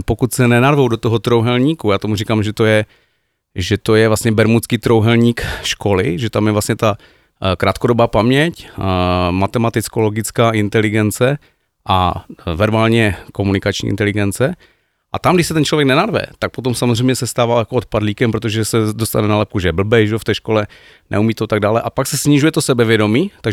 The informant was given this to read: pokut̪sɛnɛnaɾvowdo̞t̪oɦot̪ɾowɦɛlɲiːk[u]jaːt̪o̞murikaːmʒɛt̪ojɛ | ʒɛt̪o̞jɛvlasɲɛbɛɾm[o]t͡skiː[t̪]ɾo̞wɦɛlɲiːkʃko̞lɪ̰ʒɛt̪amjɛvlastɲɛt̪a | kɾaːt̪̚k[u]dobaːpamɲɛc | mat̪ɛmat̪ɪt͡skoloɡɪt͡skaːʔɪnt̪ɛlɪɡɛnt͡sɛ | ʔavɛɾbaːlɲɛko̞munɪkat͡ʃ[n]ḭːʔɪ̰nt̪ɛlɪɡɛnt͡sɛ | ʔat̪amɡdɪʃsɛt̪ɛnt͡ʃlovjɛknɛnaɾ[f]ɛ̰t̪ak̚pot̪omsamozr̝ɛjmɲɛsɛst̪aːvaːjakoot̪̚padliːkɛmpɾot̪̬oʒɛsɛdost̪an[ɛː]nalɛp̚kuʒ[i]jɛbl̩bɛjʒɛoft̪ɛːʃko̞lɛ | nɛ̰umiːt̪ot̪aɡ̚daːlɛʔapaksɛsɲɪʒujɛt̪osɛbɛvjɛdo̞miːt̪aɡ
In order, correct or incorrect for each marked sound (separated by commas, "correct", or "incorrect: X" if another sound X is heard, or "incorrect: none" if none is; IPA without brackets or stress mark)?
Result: correct, incorrect: u, correct, incorrect: o, incorrect: ɲ, incorrect: v, incorrect: ɛ, incorrect: ɛ